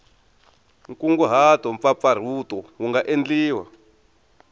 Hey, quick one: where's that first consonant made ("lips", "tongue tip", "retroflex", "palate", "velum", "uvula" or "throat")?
velum